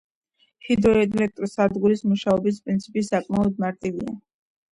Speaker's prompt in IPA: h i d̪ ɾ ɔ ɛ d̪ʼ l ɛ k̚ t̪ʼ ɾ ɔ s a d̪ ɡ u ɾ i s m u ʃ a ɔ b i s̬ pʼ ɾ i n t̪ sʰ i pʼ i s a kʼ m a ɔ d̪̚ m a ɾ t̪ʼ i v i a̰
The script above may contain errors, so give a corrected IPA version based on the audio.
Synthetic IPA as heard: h i d̪ ɾ ɔ ɛ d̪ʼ l ɛ k̚ t̪ʼ ɾ ɔ s a d̪ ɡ u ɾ i s m u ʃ a ɔ b i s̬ pʼ ɾ i n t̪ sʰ i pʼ i s a kʼ m a ɔ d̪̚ m a ɾ t̪ʼ i v i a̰